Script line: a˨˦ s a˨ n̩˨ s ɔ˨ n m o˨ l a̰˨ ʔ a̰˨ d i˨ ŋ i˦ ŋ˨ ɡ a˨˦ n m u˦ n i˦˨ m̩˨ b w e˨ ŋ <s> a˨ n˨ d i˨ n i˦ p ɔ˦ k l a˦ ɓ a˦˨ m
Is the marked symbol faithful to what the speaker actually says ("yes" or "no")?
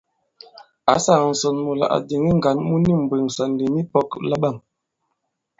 yes